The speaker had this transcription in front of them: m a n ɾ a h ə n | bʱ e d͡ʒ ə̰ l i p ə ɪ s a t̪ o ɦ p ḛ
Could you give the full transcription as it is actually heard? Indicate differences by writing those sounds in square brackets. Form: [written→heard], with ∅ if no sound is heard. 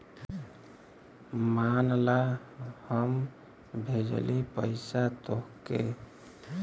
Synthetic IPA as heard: m a n [ɾ→l] a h ə [n→m] | bʱ e d͡ʒ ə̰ l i p ə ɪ s a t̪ o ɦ [p→k] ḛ